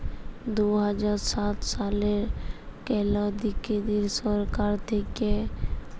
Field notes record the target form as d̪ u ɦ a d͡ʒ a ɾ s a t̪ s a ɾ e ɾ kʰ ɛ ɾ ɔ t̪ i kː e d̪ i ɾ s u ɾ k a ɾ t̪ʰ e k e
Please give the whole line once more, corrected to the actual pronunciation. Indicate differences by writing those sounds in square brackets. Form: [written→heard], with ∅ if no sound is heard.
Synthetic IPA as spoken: d̪ u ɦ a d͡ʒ a ɾ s a t̪ s a [ɾ→l] e ɾ [kʰ→k] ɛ [ɾ→l] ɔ [t̪→d̪] i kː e d̪ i ɾ s [u→ɔ] ɾ k a ɾ t̪ʰ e k e